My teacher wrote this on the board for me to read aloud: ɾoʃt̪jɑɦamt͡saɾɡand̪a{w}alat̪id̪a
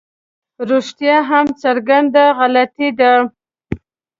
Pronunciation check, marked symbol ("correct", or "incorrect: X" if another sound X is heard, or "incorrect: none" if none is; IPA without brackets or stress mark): incorrect: ɣ